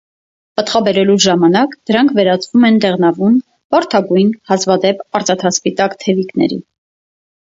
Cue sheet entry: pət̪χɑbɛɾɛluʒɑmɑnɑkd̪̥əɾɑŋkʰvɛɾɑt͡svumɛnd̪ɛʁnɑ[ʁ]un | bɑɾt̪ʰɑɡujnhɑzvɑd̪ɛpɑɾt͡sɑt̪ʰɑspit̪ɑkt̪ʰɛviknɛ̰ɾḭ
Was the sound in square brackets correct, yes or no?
no